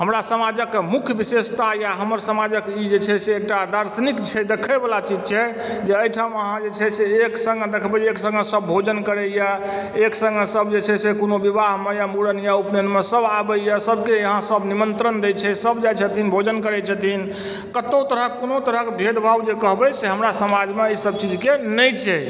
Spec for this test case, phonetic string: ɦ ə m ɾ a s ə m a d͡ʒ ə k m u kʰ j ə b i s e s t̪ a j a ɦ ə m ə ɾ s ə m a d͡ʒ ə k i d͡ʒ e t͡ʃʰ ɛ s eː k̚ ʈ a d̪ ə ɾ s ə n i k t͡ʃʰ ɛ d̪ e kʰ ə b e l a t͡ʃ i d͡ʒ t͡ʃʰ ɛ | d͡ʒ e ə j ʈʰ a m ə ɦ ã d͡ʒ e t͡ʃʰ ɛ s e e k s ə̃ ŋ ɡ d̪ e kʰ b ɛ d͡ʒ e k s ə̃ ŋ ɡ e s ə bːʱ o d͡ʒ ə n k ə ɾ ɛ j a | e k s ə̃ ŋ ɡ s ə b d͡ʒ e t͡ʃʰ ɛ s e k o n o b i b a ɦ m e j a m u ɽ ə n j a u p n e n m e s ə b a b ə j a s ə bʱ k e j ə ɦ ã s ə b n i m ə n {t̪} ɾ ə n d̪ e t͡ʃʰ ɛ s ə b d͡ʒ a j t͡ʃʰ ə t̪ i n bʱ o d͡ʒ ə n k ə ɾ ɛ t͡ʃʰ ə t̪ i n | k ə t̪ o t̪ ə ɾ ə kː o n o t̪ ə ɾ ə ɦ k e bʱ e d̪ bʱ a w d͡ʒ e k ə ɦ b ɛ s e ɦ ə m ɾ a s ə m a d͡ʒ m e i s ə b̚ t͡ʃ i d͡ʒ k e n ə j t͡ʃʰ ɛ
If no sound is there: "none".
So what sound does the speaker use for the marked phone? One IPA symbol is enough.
t̪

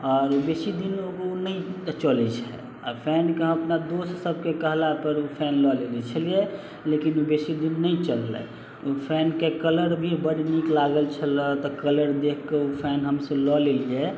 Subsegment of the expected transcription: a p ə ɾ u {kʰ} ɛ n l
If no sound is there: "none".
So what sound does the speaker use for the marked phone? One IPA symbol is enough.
pʰ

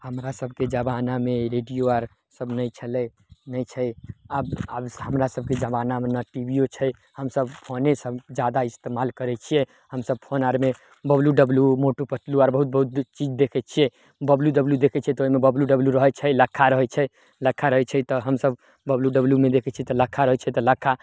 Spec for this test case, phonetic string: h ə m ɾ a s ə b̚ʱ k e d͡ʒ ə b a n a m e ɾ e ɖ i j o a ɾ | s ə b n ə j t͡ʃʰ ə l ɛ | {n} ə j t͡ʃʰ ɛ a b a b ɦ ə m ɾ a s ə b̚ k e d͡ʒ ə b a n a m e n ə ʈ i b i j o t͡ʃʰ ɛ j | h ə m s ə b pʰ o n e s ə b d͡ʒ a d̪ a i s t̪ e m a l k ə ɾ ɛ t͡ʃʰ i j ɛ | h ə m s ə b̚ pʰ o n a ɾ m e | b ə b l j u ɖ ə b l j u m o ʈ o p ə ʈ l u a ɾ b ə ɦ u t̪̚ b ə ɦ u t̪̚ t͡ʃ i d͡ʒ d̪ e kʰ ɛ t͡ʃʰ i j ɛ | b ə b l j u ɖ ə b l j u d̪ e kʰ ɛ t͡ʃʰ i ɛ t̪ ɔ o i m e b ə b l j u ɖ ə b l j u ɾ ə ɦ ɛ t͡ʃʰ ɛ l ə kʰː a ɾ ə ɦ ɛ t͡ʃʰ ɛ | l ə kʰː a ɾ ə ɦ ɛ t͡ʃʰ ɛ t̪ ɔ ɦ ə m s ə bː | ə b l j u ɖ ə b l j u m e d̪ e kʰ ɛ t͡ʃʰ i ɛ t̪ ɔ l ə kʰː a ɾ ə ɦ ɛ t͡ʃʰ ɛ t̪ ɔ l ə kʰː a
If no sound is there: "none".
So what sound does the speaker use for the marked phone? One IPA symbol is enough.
n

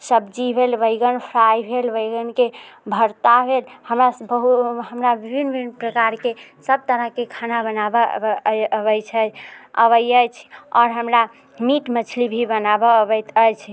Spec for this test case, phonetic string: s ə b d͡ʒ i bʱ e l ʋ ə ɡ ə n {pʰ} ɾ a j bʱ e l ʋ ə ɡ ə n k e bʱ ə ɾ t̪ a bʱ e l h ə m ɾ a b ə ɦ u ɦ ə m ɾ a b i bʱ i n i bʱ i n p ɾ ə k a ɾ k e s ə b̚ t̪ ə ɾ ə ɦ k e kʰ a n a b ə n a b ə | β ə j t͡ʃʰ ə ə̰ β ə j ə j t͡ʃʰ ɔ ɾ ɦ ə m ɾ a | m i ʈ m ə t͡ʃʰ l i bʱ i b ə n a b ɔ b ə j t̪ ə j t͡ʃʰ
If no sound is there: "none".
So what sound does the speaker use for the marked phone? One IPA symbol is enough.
pʰ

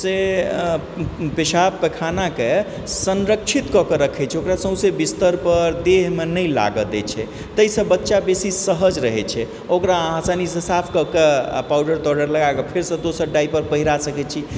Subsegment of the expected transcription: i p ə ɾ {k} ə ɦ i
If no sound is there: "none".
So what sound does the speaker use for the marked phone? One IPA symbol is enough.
p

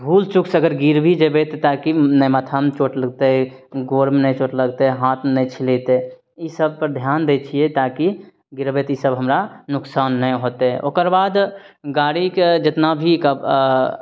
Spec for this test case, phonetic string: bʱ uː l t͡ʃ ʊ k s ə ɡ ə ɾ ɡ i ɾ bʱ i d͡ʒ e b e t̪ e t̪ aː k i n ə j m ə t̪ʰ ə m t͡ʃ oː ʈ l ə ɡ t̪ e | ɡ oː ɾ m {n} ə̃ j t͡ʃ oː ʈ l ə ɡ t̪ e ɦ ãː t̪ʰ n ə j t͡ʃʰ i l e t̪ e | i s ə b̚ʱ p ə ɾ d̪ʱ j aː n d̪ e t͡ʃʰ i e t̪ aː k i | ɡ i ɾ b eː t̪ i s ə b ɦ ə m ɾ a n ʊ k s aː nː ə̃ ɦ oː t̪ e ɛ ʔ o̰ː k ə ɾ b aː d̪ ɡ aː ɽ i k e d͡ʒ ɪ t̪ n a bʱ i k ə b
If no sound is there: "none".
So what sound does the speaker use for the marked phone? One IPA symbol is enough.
n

